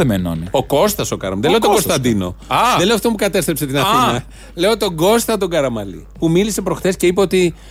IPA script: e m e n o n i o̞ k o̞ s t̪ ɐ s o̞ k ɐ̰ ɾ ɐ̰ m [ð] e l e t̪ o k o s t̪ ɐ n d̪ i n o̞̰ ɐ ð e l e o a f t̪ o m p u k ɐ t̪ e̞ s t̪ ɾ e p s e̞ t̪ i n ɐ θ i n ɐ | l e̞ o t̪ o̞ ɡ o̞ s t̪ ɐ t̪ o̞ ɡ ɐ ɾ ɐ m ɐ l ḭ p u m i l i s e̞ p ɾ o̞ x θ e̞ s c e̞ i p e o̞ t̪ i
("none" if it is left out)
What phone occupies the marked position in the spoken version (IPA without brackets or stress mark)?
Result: ð